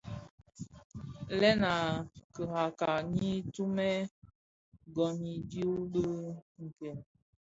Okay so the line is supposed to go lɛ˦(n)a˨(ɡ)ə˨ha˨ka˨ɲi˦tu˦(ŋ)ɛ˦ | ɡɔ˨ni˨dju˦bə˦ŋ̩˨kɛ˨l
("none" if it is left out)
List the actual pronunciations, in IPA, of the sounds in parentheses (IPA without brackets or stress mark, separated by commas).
n, k, m